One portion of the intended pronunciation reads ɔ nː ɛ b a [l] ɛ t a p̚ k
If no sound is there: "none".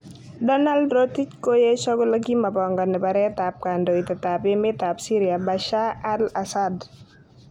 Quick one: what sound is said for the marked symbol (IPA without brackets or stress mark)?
ɾ